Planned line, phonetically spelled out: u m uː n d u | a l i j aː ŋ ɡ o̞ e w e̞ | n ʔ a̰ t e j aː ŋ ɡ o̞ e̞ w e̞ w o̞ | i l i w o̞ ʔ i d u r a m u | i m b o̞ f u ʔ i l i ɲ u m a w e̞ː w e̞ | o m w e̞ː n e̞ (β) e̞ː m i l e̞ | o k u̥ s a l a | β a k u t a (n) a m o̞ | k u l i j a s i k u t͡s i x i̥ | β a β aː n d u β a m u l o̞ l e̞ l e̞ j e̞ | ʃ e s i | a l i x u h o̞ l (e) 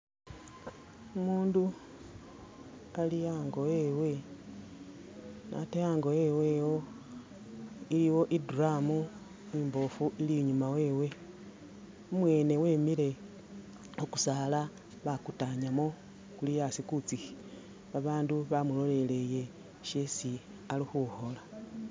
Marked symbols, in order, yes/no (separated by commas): no, no, no